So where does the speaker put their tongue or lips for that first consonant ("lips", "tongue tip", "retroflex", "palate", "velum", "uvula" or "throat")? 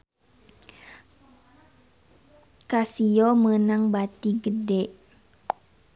velum